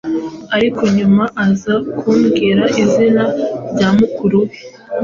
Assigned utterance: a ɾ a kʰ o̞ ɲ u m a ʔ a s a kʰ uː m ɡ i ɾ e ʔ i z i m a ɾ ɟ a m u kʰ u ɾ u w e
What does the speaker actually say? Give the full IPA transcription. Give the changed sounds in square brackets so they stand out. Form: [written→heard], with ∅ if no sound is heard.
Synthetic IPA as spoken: a ɾ [a→i] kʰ o̞ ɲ u m a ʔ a [s→z] a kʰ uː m ɡ i ɾ [e→a] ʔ i z i [m→n] a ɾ ɟ a m u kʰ u ɾ u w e